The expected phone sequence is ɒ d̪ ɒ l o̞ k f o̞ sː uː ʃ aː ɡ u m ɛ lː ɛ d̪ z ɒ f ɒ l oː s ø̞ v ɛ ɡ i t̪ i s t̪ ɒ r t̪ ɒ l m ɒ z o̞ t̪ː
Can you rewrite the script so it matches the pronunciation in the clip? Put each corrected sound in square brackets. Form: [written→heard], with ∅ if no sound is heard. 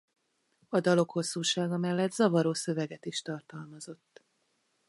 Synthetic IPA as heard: ɒ d̪ ɒ l o̞ k [f→h] o̞ sː uː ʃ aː ɡ [u→ɒ] m ɛ lː ɛ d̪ z ɒ [f→v] ɒ [l→ɾ] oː s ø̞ v ɛ ɡ [i→ɛ] t̪ i [s→ʃ] t̪ ɒ r t̪ ɒ l m ɒ z o̞ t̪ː

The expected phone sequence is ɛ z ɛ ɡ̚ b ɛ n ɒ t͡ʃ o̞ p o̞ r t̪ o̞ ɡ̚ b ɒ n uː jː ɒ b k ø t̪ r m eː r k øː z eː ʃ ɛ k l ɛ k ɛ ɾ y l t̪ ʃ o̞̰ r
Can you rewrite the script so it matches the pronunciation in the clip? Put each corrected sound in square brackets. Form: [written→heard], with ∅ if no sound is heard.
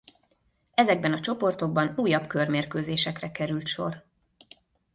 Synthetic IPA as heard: ɛ z ɛ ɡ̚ b ɛ n ɒ t͡ʃ o̞ p o̞ r t̪ o̞ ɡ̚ b ɒ n uː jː ɒ b k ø [t̪→∅] r m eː r k øː z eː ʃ ɛ k [l→r] ɛ k ɛ ɾ y l t̪ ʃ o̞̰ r

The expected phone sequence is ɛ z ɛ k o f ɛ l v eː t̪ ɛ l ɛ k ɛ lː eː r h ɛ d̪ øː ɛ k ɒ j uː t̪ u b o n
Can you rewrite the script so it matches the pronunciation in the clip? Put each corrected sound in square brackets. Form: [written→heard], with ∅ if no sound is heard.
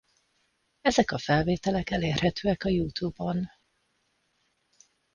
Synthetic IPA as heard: ɛ z ɛ k [o→ɒ] f ɛ l v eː t̪ ɛ l ɛ k ɛ [lː→l] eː r h ɛ [d̪→t̪] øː ɛ k ɒ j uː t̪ u b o n

